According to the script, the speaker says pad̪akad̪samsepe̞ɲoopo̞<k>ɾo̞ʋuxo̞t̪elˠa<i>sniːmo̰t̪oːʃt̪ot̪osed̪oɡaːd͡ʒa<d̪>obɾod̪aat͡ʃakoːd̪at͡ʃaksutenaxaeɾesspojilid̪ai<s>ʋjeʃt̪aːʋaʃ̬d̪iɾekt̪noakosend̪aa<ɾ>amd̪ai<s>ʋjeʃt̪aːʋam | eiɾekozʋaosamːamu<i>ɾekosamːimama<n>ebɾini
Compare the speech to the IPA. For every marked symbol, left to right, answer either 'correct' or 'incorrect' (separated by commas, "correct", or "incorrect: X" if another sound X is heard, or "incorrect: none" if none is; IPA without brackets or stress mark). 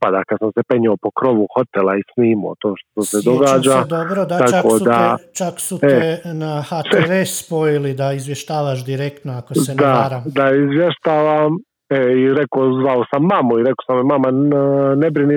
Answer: correct, correct, correct, incorrect: z, correct, incorrect: z, correct, correct